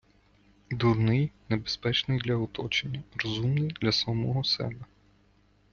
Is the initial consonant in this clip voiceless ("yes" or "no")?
no